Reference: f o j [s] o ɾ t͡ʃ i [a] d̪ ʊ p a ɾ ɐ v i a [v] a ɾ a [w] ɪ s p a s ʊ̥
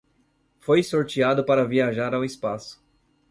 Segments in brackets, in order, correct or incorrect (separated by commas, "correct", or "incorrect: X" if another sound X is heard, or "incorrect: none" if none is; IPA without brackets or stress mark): correct, correct, incorrect: ʒ, correct